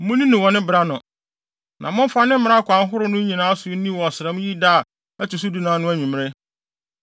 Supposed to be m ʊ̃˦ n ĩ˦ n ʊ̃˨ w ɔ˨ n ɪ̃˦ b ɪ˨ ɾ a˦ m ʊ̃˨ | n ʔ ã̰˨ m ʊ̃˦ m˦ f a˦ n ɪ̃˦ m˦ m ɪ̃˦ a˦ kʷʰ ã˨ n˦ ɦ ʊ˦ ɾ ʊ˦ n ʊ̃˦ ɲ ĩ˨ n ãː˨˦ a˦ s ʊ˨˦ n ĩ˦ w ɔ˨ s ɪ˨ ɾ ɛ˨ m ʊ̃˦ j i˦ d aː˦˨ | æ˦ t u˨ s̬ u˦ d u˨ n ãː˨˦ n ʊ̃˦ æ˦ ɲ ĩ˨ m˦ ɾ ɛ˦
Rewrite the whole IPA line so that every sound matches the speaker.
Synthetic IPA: m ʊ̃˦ n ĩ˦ n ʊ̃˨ w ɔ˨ n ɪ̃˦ b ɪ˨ ɾ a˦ n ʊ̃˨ | n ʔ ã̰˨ m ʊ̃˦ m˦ f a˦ n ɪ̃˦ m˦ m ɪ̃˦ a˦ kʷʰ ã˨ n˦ ɦ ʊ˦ ɾ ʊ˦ n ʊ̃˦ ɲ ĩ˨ n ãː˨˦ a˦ s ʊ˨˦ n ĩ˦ w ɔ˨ s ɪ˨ ɾ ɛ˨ m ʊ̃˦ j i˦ d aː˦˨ | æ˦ t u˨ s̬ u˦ d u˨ n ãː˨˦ n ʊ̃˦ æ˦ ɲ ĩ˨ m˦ ɾ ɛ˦